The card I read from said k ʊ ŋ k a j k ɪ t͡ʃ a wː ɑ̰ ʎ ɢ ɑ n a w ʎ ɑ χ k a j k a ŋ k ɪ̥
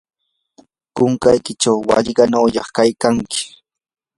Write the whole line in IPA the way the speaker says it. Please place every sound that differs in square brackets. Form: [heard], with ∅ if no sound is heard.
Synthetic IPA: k ʊ ŋ k a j k ɪ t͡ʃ a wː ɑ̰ ʎ ɢ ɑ n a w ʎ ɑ χ k a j k a ŋ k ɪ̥